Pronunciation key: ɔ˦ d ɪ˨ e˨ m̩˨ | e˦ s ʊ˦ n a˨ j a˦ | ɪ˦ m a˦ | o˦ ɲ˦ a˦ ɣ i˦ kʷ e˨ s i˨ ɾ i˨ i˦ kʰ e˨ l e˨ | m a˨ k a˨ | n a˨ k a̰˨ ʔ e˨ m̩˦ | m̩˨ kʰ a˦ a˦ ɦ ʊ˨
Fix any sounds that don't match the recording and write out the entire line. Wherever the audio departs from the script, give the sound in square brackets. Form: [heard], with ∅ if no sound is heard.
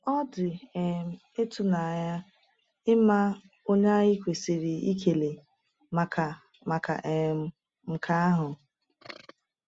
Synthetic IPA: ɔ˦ d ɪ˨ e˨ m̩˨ | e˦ [t] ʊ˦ n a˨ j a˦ | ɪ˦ m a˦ | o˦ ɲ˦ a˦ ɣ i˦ kʷ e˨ s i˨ ɾ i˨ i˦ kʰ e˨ l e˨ | m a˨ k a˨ | [m] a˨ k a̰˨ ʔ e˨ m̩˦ | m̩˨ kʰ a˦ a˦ ɦ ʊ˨